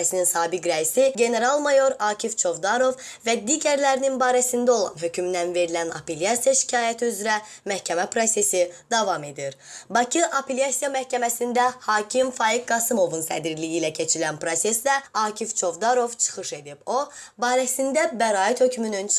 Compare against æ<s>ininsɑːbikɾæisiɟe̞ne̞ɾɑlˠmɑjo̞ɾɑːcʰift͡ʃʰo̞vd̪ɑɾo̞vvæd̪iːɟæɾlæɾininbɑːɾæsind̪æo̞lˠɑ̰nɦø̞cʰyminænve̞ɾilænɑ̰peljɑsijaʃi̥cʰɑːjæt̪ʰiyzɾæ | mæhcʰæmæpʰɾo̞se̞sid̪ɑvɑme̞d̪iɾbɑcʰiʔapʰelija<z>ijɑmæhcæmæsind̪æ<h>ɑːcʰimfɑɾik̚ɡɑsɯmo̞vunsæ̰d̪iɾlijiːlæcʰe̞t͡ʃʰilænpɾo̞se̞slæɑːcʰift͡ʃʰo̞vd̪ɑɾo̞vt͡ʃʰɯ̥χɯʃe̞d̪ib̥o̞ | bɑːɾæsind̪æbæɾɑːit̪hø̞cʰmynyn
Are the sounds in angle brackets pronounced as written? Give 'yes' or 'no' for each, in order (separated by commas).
yes, no, yes